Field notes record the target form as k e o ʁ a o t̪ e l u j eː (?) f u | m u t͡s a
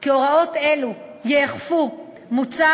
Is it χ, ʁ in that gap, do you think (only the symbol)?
χ